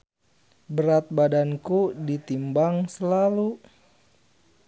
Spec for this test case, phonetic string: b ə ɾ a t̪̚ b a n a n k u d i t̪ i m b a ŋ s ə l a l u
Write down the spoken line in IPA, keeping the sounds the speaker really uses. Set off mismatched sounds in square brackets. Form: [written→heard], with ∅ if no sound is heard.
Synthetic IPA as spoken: b ə ɾ a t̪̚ b a [n→d] a n k u d i t̪ i m b a ŋ s ə l a l u